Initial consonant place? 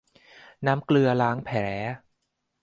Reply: alveolar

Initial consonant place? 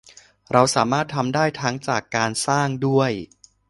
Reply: alveolar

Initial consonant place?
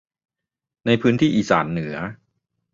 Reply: alveolar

